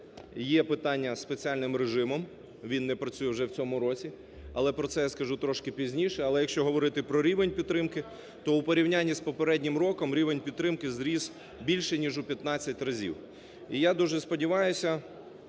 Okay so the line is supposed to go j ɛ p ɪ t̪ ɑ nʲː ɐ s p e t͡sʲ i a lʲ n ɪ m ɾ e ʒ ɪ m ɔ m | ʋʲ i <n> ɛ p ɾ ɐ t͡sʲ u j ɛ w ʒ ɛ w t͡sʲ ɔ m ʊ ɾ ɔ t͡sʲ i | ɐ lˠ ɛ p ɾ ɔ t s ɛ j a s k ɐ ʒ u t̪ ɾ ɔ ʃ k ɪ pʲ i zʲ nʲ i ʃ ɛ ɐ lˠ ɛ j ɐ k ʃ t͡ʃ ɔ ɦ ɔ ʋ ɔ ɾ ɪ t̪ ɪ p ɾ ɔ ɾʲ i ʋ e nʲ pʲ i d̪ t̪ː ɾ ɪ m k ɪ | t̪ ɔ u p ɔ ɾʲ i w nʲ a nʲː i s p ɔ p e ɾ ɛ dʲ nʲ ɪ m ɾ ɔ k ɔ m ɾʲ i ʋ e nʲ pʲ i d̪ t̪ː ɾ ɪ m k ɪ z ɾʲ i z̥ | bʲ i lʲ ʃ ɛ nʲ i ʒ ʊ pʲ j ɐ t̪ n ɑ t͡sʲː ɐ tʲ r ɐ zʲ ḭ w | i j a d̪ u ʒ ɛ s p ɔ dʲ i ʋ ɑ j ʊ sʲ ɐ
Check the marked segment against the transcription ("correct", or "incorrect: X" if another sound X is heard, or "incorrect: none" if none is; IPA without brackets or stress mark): incorrect: nː